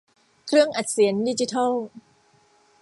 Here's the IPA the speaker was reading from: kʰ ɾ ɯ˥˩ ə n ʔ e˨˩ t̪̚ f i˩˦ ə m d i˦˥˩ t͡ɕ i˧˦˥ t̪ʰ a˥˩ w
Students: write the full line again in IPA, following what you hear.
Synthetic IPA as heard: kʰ ɾ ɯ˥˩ ə ŋ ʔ a˨˩ t̪̚ s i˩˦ ə n d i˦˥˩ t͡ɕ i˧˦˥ t̪ʰ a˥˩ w